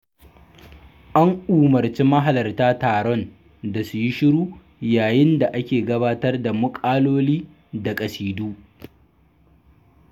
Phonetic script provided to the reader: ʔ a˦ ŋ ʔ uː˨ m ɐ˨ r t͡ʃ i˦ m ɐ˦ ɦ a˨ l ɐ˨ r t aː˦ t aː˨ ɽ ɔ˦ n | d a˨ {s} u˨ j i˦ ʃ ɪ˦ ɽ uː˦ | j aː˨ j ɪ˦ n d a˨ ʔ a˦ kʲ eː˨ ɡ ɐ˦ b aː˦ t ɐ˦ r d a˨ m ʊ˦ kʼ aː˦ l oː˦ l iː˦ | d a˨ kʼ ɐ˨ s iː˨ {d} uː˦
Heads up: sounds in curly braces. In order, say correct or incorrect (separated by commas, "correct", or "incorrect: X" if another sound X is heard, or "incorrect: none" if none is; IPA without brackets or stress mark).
correct, correct